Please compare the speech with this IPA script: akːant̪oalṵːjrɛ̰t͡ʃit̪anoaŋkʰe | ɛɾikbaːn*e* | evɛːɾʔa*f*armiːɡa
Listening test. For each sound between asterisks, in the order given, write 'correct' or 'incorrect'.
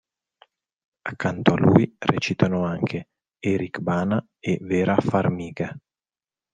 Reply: incorrect: a, correct

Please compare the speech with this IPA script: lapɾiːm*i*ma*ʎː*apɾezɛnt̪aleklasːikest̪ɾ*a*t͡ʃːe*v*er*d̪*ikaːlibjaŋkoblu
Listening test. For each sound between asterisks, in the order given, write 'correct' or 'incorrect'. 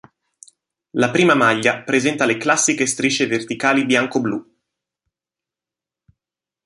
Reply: incorrect: a, correct, incorrect: i, correct, incorrect: t̪

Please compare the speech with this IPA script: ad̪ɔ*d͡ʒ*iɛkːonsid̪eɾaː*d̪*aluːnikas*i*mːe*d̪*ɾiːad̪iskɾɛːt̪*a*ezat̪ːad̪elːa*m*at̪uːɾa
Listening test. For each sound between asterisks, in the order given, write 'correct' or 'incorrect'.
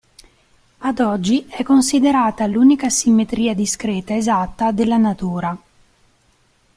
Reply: incorrect: d͡ʒː, incorrect: t̪, correct, incorrect: t̪, correct, incorrect: n

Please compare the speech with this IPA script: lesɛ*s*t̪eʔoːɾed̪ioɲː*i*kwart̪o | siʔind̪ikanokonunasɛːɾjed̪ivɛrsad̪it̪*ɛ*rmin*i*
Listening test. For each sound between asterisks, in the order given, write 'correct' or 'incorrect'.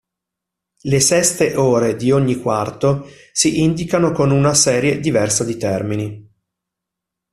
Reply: correct, correct, correct, correct

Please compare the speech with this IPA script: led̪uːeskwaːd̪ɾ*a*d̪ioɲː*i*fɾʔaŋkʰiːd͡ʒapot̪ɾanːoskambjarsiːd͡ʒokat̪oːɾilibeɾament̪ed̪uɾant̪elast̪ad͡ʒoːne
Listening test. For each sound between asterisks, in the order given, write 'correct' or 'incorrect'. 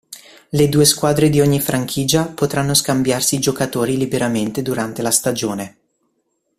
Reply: incorrect: e, correct

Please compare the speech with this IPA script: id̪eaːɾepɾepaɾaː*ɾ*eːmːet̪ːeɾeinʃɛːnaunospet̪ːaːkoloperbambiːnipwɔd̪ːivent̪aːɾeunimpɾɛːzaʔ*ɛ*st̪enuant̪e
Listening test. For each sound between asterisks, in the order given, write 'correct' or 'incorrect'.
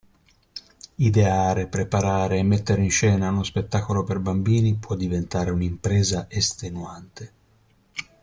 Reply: correct, incorrect: e

